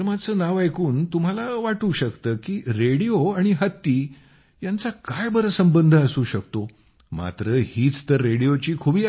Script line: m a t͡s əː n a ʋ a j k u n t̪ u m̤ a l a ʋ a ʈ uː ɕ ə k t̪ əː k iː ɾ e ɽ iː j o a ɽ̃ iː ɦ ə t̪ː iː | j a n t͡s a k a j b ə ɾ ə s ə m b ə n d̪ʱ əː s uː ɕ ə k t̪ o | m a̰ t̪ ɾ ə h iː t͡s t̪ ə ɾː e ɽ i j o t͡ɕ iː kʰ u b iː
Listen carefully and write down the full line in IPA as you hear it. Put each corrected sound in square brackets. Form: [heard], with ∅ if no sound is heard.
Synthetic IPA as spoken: m a t͡s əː n a ʋ a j k [uː] n t̪ u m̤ a l a ʋ a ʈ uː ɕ ə k t̪ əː k iː ɾ e ɽ [i] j o a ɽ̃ [i] ɦ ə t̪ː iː | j a n t͡s a k a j b ə ɾ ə s ə m b ə n d̪ʱ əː s uː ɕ ə k t̪ o | m a̰ t̪ ɾ ə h iː t͡s t̪ ə ɾː e ɽ i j o t͡ɕ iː kʰ u b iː